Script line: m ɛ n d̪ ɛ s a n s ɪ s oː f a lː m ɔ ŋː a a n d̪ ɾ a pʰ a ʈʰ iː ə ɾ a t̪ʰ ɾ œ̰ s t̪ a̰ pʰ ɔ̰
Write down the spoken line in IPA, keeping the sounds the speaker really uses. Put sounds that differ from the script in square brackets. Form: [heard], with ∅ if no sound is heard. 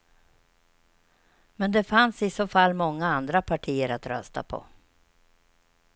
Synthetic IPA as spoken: m ɛ n d̪ ɛ [f] a n s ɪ s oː f a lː m ɔ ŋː a a n d̪ ɾ a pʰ a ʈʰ iː ə ɾ a [t̪] ɾ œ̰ s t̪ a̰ pʰ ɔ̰